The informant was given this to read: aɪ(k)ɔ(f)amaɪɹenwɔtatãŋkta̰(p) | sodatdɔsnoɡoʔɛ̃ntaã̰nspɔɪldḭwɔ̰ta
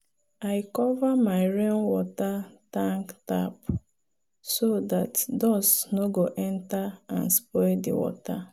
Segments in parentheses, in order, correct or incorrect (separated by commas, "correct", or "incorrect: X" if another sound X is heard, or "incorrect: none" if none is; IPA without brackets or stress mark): correct, incorrect: v, correct